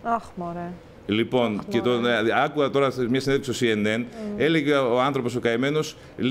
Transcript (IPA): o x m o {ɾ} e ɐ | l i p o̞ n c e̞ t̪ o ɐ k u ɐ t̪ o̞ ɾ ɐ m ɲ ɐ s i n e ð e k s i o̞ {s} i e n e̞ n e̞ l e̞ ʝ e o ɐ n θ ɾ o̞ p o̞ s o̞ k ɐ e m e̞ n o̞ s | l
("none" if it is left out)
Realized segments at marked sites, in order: ɾ, s

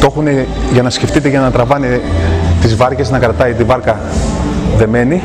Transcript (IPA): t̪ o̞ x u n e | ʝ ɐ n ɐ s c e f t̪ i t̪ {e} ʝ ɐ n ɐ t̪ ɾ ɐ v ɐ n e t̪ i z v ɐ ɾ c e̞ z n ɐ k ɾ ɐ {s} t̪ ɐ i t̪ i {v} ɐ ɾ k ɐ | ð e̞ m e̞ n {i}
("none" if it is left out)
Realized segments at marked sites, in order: e, none, v, i

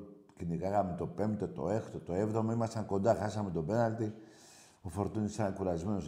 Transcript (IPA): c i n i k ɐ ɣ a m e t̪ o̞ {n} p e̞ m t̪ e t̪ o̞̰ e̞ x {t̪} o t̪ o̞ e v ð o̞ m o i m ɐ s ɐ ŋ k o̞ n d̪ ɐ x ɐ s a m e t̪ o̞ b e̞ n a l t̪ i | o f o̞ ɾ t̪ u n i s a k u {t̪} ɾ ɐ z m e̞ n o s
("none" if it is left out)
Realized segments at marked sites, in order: none, t̪, none

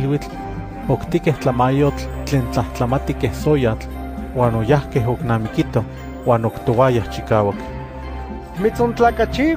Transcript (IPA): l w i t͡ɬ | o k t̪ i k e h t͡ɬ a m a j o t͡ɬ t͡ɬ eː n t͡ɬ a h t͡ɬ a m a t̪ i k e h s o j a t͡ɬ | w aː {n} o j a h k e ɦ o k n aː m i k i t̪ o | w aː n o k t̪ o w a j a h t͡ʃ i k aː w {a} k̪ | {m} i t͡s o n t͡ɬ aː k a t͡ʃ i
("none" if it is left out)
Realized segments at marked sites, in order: n, a, m

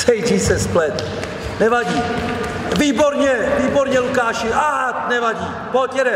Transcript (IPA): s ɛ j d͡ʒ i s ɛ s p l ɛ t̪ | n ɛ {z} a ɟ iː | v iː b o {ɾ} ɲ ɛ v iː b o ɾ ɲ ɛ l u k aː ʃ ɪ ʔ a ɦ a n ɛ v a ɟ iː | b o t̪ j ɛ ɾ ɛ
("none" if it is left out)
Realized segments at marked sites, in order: v, ɾ

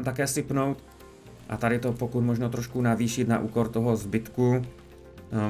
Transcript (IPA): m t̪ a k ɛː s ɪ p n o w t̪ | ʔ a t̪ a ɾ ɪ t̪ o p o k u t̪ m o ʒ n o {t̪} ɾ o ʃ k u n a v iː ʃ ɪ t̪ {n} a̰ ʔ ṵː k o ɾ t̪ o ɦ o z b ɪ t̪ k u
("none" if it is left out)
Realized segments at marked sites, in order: t̪, n

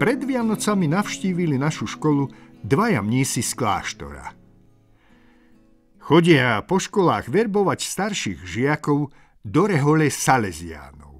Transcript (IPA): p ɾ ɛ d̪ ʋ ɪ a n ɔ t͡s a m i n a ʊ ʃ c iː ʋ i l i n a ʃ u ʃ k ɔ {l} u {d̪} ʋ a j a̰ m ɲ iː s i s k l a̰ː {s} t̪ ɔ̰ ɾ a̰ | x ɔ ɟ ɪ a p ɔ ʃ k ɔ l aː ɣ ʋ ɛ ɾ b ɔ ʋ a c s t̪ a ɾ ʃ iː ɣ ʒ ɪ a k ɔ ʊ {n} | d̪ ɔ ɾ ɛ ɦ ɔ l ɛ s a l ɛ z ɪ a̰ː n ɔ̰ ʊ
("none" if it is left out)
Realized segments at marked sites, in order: l, d̪, ʃ, none

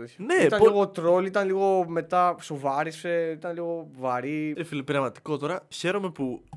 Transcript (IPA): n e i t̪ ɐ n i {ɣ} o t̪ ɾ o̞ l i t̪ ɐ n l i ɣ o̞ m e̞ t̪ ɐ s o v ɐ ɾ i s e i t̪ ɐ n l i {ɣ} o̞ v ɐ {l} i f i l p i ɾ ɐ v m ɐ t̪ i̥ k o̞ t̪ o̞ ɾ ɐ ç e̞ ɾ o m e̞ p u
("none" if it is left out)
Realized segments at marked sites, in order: ɣ, ɣ, ɾ

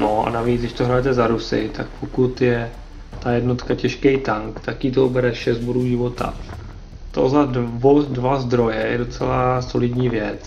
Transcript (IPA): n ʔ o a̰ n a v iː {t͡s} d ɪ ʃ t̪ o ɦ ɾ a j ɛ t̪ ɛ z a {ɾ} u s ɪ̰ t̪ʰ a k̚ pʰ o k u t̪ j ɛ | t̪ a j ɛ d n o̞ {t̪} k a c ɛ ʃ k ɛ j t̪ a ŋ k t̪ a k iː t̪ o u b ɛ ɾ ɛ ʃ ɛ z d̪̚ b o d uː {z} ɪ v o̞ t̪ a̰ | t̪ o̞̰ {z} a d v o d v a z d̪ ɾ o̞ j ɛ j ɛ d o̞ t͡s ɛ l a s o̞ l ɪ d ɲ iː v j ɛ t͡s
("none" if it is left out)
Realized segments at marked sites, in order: t͡s, ɾ, t̪, ʒ, z

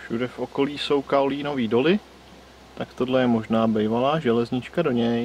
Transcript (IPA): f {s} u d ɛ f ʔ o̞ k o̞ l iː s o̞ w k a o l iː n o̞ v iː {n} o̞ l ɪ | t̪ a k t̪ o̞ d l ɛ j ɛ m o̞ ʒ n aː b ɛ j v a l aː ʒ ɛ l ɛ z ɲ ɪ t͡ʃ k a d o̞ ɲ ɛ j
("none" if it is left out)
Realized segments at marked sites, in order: ʃ, d

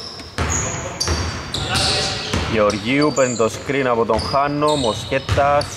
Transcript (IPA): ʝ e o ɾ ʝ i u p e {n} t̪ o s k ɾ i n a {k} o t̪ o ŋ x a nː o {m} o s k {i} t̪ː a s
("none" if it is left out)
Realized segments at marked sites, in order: n, p, m, e

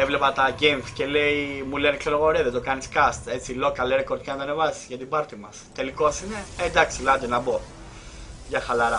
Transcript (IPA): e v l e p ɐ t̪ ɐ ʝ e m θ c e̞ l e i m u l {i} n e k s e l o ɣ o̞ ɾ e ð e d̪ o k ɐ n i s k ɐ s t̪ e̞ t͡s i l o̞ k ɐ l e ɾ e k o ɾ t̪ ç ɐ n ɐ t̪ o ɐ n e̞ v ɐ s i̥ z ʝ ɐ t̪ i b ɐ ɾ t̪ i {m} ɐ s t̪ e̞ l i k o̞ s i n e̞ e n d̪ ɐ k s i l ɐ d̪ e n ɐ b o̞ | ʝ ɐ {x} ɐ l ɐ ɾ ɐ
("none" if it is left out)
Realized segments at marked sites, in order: e, m, x

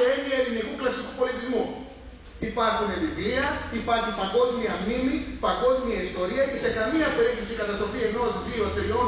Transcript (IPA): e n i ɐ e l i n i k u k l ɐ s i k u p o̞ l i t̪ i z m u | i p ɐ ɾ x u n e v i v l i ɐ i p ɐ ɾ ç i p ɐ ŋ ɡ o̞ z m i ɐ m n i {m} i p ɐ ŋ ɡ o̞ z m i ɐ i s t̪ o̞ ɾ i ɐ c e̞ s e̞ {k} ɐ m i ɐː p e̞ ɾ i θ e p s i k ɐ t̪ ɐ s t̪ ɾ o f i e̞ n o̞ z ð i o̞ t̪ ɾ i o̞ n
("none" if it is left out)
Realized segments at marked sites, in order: m, k

